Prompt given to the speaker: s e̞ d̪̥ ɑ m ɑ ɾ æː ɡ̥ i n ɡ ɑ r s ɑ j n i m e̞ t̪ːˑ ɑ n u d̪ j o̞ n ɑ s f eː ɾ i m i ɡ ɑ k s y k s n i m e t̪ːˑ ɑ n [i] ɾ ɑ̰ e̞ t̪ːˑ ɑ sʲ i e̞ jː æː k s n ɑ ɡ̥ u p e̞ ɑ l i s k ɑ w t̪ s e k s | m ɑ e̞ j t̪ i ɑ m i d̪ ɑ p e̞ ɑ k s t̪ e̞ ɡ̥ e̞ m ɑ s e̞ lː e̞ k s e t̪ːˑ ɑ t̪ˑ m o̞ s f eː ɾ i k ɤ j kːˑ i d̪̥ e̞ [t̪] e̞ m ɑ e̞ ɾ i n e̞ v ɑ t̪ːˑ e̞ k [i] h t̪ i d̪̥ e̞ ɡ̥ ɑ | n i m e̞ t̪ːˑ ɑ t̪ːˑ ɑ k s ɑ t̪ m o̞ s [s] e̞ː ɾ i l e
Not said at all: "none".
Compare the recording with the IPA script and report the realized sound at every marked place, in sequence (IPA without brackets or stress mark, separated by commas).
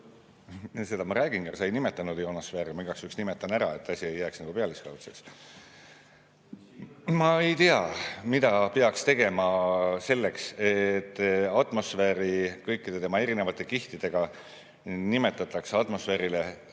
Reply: æ, t̪, i, f